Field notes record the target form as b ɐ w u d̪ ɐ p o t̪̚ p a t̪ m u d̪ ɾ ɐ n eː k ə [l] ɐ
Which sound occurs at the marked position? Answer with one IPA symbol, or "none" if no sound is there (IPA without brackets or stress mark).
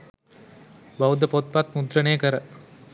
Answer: ɾ